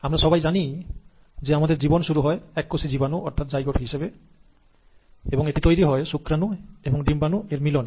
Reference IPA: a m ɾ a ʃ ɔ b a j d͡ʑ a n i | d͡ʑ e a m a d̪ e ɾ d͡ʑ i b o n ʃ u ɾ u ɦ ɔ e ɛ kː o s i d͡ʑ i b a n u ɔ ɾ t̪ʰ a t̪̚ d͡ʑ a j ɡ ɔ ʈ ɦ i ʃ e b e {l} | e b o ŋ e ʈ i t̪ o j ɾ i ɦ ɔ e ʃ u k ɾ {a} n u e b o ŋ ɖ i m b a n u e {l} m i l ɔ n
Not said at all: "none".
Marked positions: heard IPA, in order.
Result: none, a, ɾ

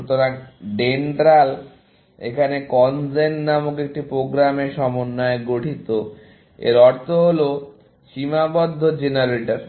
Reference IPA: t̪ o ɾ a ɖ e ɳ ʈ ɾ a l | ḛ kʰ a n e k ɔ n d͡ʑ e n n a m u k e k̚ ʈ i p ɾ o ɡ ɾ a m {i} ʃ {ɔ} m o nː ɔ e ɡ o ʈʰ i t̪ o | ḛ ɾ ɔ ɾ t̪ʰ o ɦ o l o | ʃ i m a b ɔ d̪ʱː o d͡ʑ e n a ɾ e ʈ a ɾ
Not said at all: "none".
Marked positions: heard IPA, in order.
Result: e, ɔ

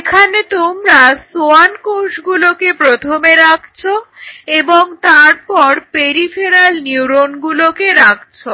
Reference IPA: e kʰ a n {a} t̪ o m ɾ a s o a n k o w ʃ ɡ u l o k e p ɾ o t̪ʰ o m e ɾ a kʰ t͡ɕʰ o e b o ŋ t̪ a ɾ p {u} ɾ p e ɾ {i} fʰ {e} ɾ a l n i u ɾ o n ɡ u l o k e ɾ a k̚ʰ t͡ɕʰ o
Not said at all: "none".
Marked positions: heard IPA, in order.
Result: e, ɔ, i, e

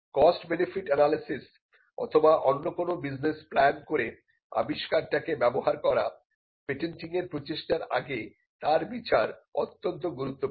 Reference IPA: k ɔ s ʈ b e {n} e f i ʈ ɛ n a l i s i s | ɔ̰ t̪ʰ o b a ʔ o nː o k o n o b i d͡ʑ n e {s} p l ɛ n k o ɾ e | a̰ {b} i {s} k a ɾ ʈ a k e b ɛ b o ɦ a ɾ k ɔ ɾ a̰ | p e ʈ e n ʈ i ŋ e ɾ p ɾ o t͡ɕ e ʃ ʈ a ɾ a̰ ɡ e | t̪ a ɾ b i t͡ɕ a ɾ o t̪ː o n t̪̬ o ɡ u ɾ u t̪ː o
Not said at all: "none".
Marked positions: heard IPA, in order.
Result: n, s, b, ʃ

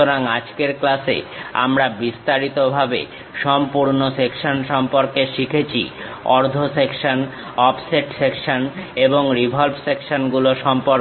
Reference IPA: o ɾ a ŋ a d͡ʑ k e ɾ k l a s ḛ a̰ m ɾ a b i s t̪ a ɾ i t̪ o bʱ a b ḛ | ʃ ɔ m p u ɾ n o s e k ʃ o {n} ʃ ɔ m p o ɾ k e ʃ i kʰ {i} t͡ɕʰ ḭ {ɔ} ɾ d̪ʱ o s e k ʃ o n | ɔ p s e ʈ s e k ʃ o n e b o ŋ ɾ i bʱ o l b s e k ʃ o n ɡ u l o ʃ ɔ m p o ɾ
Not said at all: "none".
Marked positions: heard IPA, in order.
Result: n, e, ɔ

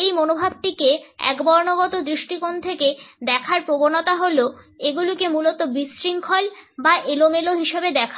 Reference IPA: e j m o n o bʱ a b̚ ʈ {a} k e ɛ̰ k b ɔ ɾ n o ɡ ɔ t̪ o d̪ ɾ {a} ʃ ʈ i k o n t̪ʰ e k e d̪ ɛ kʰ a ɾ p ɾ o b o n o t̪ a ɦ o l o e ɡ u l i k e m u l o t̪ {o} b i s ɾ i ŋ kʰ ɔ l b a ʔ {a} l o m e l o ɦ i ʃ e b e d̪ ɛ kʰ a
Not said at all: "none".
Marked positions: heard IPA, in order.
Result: i, i, o, e

